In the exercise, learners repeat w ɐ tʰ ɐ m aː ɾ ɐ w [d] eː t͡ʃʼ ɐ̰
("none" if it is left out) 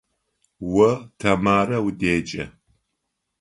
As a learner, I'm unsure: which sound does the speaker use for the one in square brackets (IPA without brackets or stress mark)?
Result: d